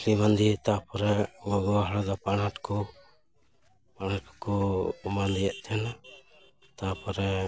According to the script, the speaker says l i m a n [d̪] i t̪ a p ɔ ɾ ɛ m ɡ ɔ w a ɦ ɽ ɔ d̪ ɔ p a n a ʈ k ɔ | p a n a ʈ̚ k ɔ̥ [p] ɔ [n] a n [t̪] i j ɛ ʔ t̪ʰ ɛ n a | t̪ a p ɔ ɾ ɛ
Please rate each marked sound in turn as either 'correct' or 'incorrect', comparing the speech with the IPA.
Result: correct, incorrect: k, incorrect: m, incorrect: d̪

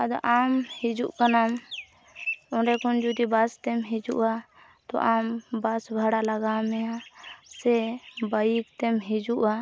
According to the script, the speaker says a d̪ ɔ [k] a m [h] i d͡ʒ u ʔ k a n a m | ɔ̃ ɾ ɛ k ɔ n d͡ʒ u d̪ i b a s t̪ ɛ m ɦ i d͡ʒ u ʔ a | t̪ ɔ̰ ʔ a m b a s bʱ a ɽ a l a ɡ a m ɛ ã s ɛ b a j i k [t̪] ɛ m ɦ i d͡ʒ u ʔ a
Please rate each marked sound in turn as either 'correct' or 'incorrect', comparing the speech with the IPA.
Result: incorrect: ʔ, correct, correct

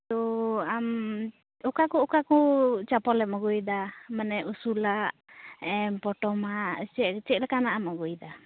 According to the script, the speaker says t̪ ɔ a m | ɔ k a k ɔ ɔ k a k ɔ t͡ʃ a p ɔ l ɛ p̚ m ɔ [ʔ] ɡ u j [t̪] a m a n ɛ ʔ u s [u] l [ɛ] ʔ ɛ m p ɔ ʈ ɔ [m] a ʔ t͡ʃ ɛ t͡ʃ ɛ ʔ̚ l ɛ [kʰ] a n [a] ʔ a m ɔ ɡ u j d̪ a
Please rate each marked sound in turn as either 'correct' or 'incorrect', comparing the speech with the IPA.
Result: incorrect: none, incorrect: d̪, correct, incorrect: a, correct, incorrect: k, correct

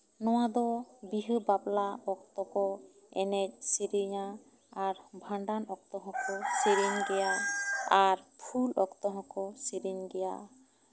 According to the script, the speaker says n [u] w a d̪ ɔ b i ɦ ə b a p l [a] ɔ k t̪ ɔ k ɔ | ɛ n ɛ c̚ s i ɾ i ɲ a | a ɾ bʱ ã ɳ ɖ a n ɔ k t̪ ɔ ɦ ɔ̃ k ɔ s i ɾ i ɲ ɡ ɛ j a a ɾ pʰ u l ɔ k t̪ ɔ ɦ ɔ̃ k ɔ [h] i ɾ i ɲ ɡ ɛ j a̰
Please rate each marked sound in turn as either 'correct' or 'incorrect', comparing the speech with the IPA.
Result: incorrect: ɔ, correct, incorrect: s

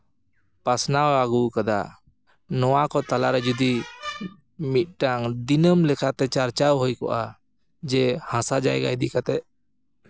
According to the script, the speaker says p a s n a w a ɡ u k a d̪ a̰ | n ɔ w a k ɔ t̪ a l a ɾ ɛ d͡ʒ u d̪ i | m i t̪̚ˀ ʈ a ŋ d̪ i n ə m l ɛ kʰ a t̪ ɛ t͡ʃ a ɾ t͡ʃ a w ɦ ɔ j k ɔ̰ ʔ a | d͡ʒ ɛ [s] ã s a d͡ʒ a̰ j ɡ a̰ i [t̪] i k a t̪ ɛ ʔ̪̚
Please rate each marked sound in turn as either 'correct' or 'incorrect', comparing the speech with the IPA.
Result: incorrect: h, incorrect: d̪

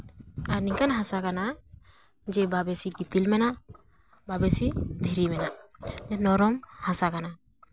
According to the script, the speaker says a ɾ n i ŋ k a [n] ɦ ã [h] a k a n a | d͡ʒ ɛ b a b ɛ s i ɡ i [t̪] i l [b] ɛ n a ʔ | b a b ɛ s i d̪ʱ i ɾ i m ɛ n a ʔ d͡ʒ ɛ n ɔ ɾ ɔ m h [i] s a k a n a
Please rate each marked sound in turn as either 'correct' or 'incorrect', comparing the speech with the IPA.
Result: correct, incorrect: s, correct, incorrect: m, incorrect: a

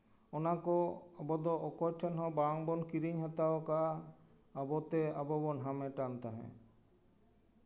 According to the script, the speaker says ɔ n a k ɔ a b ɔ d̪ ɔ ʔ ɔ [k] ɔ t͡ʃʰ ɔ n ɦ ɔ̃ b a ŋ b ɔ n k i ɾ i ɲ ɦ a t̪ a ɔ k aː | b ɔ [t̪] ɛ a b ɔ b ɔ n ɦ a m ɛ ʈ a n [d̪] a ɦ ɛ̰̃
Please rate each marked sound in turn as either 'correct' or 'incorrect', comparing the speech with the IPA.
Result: correct, correct, incorrect: t̪

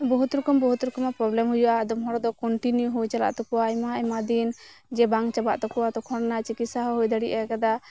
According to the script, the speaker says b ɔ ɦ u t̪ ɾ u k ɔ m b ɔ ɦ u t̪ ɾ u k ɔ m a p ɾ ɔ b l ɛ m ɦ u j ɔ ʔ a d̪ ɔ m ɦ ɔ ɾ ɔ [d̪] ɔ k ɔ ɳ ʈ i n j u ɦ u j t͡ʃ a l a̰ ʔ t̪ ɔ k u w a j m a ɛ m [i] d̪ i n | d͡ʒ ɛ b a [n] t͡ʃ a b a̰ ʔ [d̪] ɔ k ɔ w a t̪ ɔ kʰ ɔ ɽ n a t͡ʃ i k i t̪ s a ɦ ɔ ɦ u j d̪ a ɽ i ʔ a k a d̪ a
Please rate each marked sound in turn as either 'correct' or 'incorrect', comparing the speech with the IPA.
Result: correct, incorrect: a, incorrect: ŋ, incorrect: t̪

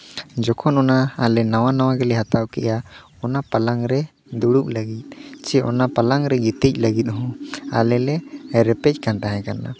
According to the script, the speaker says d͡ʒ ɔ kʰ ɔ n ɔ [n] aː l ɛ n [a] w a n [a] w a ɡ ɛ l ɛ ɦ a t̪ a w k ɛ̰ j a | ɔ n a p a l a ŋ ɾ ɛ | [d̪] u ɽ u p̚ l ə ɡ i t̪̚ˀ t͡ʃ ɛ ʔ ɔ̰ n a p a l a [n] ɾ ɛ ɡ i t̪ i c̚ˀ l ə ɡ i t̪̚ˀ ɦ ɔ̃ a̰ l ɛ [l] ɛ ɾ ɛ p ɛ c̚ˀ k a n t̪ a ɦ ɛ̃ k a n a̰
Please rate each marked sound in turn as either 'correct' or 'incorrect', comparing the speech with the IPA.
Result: correct, correct, correct, correct, incorrect: ŋ, correct

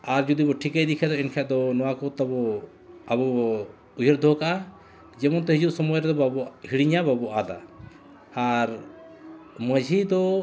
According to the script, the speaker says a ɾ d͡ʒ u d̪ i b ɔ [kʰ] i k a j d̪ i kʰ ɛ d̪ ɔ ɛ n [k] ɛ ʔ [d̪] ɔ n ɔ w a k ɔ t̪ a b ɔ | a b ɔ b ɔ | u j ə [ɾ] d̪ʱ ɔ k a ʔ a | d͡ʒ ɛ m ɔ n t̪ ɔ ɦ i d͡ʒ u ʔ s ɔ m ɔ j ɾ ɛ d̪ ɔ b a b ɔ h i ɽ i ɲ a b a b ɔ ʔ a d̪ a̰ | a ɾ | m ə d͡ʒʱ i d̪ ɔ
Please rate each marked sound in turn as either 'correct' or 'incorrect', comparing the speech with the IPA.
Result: incorrect: ʈʰ, incorrect: kʰ, correct, correct

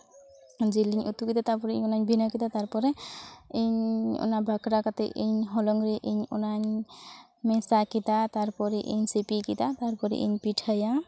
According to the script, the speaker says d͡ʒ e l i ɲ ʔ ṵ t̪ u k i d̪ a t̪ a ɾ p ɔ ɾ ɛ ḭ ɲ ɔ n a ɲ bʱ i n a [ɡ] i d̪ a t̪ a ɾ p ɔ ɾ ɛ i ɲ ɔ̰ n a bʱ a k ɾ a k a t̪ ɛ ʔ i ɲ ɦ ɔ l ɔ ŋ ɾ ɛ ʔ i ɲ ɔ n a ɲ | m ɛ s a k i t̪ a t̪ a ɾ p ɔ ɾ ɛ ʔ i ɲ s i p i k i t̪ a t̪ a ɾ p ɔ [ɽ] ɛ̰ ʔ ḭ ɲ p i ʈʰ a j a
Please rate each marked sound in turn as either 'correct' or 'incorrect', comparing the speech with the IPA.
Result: incorrect: k, incorrect: ɾ

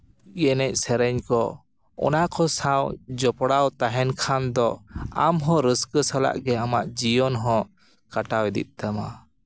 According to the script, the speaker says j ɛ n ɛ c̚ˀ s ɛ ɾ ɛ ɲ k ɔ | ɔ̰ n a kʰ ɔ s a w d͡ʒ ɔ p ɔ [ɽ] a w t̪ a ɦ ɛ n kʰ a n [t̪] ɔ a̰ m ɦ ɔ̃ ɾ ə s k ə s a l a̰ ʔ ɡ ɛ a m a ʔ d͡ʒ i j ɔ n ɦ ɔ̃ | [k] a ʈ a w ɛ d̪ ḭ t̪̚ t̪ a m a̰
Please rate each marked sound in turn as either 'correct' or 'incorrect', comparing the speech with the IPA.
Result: correct, incorrect: d̪, correct

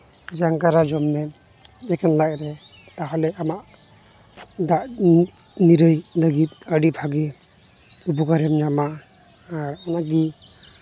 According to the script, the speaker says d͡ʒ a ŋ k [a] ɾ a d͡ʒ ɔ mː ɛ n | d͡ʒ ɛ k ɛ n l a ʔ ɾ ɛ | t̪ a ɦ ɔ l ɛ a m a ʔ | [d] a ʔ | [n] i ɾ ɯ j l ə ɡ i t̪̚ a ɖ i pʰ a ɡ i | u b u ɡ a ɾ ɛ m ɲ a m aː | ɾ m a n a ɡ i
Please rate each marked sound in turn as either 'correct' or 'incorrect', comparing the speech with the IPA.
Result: correct, correct, correct

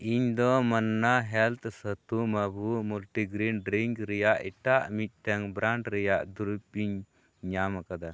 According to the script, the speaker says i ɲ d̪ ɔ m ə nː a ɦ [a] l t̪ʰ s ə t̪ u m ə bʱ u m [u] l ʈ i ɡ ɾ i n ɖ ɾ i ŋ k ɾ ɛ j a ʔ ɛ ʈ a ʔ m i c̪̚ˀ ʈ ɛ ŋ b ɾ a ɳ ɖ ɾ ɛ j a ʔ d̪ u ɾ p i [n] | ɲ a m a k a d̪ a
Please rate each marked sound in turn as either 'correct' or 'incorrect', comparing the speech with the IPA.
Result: incorrect: ɛ, correct, incorrect: ɲ

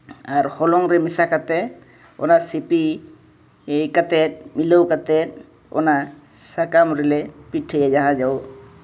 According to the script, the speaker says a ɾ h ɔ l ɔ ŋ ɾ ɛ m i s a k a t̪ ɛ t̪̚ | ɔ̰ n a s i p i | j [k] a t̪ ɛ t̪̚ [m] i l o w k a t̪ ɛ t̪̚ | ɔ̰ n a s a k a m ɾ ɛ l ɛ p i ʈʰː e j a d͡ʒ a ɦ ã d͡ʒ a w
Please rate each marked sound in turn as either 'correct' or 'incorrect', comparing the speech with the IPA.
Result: correct, correct

